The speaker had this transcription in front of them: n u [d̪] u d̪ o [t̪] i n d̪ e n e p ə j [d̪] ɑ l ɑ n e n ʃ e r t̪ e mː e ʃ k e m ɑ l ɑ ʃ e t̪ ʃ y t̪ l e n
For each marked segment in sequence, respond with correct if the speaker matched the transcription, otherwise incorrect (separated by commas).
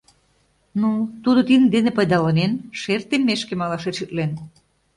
incorrect, correct, correct